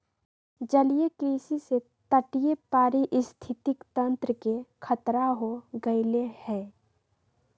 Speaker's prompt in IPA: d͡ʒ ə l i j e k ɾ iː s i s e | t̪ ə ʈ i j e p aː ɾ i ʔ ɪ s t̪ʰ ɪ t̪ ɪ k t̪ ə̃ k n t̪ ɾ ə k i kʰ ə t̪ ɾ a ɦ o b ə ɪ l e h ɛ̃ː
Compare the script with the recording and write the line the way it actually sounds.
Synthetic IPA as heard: d͡ʒ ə l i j e k ɾ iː s i s e | t̪ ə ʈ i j e p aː ɾ i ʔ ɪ s t̪ʰ ɪ t̪ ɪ k t̪ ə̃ n t̪ ɾ ə k e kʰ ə t̪ ɾ a ɦ o ɡ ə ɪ l e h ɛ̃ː